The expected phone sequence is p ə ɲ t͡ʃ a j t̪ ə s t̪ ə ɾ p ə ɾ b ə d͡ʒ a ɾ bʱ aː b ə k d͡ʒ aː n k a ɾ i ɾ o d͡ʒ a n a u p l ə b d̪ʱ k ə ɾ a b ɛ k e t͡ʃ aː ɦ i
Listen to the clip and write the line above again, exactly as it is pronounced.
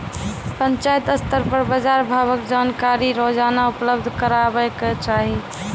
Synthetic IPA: p ə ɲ t͡ʃ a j t̪ ə s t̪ ə ɾ p ə ɾ b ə d͡ʒ a ɾ bʱ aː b ə k d͡ʒ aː n k a ɾ i ɾ o d͡ʒ a n a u p l ə b d̪ʱ k ə ɾ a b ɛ k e t͡ʃ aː ɦ i